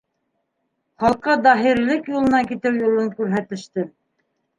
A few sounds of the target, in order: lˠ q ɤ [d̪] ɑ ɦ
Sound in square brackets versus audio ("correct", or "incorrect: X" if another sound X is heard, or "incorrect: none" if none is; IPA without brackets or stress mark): correct